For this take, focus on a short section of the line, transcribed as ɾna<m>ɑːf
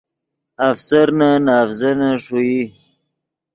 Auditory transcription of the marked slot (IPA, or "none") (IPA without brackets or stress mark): n